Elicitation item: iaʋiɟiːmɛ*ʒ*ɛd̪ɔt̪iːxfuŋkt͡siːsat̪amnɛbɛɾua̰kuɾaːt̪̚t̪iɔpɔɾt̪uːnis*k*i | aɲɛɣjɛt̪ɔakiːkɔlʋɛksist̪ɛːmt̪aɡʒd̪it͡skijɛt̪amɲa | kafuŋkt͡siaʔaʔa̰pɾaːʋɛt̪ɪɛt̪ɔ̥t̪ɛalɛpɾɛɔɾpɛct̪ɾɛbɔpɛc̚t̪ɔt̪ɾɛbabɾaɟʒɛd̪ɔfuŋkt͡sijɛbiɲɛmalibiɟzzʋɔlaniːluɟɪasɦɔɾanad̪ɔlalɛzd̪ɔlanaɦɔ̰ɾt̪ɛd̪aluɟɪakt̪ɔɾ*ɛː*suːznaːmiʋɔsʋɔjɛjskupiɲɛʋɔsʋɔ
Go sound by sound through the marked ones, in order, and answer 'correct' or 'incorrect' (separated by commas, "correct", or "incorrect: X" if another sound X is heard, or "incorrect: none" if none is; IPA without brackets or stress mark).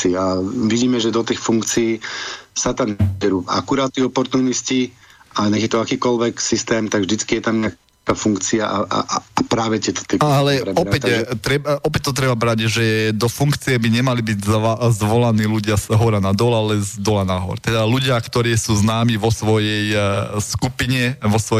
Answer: correct, incorrect: c, incorrect: iː